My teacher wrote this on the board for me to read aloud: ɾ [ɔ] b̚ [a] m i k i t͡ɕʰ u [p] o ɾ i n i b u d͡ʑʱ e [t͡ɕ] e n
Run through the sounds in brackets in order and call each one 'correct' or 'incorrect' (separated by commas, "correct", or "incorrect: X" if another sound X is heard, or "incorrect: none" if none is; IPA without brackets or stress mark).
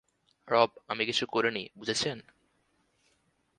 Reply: correct, correct, incorrect: k, incorrect: t͡ɕʰ